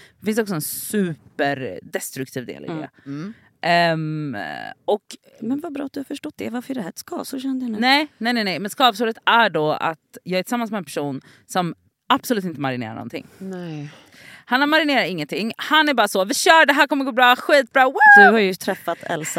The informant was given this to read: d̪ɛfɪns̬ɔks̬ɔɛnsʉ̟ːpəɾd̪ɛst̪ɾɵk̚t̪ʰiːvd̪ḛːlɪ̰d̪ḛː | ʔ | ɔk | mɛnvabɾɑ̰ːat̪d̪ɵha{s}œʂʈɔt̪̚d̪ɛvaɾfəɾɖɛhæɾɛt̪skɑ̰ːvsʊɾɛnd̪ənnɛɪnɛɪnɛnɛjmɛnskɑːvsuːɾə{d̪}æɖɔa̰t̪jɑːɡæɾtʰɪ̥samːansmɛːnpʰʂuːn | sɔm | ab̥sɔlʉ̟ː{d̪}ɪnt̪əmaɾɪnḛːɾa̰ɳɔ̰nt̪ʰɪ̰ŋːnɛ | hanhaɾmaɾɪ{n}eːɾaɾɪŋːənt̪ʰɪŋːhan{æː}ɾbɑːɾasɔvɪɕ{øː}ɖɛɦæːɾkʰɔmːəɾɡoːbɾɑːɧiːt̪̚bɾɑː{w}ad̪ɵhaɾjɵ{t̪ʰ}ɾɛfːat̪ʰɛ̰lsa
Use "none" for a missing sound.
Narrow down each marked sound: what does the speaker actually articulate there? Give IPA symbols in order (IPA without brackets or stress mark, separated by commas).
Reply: f, t̪, t̪, n, æ, œː, w, t̪ʰ